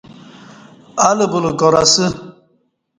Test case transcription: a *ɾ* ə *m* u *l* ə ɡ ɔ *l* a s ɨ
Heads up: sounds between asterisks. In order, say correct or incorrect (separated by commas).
incorrect, incorrect, correct, incorrect